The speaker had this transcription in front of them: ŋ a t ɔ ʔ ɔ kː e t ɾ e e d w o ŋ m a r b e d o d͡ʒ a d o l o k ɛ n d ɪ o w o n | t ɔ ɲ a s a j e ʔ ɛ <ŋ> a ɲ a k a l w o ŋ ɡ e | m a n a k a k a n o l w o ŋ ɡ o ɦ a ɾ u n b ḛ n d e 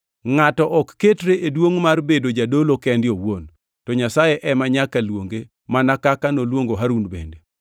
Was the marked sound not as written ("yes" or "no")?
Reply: yes